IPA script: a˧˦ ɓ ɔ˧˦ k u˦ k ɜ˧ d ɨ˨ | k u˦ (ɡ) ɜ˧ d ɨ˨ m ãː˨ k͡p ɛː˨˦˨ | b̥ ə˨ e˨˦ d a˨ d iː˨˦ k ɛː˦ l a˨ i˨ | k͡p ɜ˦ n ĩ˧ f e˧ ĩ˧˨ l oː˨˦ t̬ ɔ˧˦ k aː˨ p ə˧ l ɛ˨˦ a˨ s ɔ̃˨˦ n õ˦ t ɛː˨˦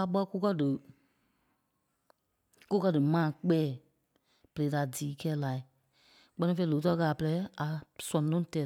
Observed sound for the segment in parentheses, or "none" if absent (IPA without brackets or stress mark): k